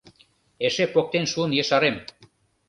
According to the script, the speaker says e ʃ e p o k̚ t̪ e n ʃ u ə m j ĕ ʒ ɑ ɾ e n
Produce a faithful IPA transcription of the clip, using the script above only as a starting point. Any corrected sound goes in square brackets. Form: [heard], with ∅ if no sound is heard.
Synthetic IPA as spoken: e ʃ e p o k̚ t̪ e n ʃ u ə [n] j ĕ [ʃ] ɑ ɾ e [m]